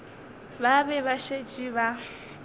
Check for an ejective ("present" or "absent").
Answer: present